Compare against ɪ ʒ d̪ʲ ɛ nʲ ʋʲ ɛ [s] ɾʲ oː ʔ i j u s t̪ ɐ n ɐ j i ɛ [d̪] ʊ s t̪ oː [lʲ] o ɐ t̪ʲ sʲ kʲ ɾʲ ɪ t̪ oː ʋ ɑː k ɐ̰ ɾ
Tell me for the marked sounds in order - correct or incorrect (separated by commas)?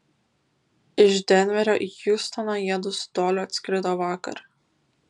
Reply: incorrect, correct, correct